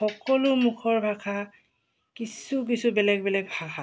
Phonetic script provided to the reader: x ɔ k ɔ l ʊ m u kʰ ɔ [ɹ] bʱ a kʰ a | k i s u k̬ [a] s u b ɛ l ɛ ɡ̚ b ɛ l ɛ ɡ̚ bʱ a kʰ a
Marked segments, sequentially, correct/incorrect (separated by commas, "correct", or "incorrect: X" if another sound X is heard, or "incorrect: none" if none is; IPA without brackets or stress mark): correct, incorrect: i